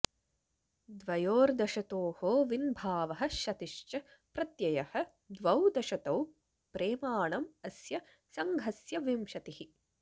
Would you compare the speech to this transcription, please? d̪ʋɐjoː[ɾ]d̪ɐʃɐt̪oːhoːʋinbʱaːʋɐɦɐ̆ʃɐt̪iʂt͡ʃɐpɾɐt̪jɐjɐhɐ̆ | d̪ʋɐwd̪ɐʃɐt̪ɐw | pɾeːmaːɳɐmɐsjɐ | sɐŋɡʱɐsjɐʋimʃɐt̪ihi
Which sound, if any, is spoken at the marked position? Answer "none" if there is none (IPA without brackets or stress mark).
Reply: ɾ